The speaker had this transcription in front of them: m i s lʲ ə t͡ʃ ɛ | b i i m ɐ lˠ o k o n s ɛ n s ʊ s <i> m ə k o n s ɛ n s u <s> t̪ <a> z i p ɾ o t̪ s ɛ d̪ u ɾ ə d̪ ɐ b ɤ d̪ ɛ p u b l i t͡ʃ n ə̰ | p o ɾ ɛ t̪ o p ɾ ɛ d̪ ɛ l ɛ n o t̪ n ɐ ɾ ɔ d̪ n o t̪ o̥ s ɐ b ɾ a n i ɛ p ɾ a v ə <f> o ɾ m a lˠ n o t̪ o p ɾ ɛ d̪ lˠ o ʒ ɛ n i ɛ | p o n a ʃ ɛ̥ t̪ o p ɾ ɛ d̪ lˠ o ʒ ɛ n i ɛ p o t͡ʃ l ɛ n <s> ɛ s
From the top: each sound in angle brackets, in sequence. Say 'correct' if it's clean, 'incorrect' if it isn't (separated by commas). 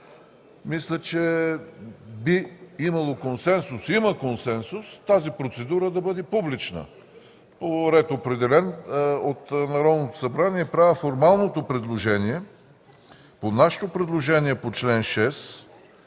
correct, correct, correct, correct, incorrect